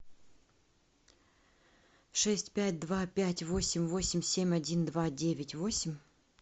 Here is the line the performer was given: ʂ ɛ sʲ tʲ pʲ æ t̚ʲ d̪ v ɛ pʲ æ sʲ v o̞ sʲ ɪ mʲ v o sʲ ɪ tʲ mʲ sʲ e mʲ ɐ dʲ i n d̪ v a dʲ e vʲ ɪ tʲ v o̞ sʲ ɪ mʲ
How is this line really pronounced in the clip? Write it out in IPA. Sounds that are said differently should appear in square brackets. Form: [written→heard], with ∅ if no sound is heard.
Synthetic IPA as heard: ʂ ɛ sʲ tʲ pʲ æ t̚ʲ d̪ v [ɛ→a] pʲ æ [sʲ→tʲ] v o̞ sʲ ɪ mʲ v o sʲ ɪ [tʲ→∅] mʲ sʲ e mʲ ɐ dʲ i n d̪ v a dʲ e vʲ ɪ tʲ v o̞ sʲ ɪ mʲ

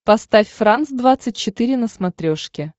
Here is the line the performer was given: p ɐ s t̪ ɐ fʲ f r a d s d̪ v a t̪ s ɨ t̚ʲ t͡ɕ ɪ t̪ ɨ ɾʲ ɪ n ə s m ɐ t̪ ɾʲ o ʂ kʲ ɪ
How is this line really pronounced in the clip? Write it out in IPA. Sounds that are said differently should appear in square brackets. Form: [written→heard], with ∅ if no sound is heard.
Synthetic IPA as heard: p ɐ s t̪ [ɐ→a] fʲ f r a [d→n] s d̪ v a t̪ s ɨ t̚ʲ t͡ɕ ɪ t̪ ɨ ɾʲ ɪ n ə s m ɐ t̪ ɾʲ o ʂ kʲ ɪ

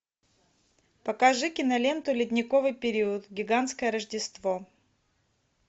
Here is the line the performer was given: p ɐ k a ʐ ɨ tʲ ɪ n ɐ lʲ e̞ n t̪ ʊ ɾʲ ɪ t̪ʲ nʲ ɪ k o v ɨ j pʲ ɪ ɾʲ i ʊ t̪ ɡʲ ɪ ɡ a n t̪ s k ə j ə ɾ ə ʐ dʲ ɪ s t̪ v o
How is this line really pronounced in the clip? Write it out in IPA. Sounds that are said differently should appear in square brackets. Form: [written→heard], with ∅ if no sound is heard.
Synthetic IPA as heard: p ɐ k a ʐ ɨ [tʲ→kʲ] ɪ n ɐ lʲ e̞ n t̪ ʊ [ɾʲ→lʲ] ɪ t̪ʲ nʲ ɪ k o v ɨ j pʲ ɪ ɾʲ i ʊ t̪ ɡʲ ɪ ɡ a n t̪ s k ə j ə ɾ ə ʐ dʲ ɪ s t̪ v o

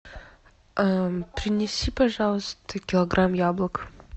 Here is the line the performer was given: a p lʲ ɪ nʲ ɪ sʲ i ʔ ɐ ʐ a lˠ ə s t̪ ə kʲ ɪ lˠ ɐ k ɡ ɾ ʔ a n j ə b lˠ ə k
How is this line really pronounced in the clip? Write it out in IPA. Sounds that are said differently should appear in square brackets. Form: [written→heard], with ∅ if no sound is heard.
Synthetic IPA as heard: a p [lʲ→ɾʲ] ɪ nʲ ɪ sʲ i [ʔ→p] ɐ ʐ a lˠ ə s t̪ ə kʲ ɪ lˠ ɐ [k→∅] ɡ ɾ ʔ a [n→m] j [ə→a] b lˠ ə k

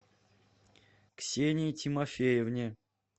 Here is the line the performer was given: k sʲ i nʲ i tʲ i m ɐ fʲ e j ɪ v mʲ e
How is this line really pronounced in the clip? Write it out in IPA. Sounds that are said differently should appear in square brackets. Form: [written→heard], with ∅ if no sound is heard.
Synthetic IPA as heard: k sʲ [i→e] nʲ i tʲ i m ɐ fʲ e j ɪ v [mʲ→nʲ] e

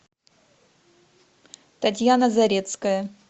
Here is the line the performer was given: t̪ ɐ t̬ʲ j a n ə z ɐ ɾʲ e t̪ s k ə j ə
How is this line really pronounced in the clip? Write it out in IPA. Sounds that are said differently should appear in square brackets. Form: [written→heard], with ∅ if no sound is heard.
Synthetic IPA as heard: t̪ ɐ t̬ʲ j a n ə z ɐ ɾʲ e t̪ s k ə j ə

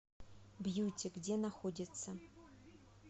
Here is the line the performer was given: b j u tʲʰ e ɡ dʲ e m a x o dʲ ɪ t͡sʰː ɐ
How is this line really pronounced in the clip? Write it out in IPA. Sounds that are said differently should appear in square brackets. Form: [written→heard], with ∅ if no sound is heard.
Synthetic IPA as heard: b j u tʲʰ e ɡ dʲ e [m→n] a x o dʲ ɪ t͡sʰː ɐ

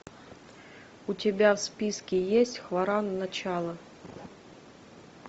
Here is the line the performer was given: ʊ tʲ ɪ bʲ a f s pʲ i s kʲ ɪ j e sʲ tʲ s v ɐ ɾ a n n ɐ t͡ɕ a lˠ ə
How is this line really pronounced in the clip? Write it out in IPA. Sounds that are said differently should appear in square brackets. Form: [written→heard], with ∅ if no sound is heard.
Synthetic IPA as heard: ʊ tʲ ɪ bʲ a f s pʲ i s kʲ ɪ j e sʲ tʲ [s→x] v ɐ ɾ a n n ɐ t͡ɕ a lˠ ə

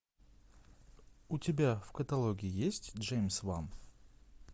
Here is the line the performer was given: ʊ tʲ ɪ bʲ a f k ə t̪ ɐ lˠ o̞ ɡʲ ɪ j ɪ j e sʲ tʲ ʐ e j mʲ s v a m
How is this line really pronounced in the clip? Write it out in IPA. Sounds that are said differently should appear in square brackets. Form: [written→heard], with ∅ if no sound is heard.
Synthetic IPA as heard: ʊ tʲ ɪ bʲ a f k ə t̪ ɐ lˠ o̞ ɡʲ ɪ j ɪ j e sʲ tʲ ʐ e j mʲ s v a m

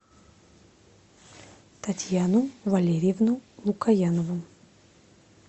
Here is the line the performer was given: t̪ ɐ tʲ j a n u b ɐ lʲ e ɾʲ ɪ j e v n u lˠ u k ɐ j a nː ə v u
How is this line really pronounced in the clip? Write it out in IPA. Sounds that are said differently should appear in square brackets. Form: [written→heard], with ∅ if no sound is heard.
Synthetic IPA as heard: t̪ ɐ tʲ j a n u [b→v] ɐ lʲ e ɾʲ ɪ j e v n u lˠ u k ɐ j a [nː→n] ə v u

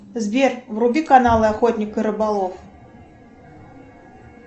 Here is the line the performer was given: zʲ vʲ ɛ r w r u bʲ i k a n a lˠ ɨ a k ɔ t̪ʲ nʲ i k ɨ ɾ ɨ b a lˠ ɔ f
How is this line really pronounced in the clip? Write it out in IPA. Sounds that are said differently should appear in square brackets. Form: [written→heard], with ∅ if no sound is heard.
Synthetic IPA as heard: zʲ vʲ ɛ r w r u bʲ i k a n a lˠ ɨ a [k→x] ɔ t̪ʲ nʲ i k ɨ ɾ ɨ b a lˠ ɔ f

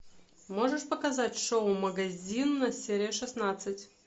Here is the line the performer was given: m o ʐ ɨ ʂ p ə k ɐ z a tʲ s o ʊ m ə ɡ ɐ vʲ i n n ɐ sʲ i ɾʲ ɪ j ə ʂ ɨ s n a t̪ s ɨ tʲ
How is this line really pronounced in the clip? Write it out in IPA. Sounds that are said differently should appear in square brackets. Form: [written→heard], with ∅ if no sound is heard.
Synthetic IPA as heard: m o ʐ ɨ ʂ p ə k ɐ z a tʲ [s→ʂ] o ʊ m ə ɡ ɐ [vʲ→zʲ] i n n ɐ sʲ [i→e] ɾʲ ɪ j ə ʂ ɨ s n a t̪ s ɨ tʲ

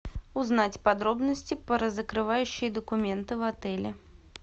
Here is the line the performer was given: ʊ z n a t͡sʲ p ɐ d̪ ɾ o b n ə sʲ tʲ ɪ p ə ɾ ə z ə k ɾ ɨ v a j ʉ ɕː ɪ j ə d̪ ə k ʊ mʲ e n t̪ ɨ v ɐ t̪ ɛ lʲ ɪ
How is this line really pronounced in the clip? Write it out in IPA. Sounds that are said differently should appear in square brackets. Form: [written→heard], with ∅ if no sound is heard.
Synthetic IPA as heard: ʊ z n a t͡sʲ p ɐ d̪ ɾ o b n ə sʲ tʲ ɪ p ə ɾ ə z ə k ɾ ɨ v a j ʉ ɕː ɪ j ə d̪ ə k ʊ mʲ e n t̪ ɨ v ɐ t̪ ɛ lʲ ɪ

